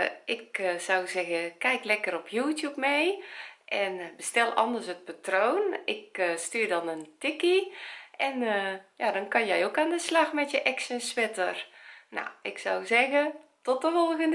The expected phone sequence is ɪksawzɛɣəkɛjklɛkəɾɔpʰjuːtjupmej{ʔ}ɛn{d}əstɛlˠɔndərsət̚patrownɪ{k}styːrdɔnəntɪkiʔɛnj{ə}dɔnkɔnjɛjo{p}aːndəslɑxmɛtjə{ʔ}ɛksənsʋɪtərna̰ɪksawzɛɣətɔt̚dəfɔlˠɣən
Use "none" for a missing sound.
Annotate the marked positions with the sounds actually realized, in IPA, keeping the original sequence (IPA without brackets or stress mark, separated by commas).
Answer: ʔ, b, k, a, k, ʔ